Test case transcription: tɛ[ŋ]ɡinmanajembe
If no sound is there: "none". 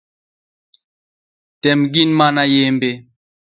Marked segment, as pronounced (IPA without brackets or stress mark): m